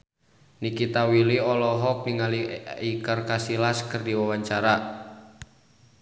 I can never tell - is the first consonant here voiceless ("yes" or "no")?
no